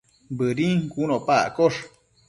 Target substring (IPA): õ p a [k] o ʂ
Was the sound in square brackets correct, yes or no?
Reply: yes